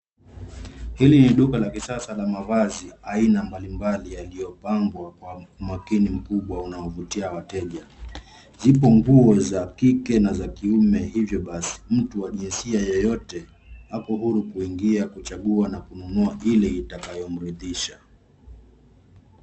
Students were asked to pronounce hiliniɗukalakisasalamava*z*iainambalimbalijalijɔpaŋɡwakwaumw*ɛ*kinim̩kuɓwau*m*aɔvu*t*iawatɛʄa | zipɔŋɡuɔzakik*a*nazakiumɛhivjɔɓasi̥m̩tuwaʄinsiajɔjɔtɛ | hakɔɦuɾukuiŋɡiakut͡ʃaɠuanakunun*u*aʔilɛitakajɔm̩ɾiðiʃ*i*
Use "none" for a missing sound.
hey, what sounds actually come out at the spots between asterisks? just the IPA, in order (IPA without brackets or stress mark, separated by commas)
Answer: z, a, n, t, ɛ, u, a